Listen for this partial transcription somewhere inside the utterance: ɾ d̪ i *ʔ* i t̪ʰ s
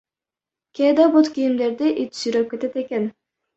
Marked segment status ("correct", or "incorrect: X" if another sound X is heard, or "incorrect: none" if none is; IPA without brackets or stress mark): correct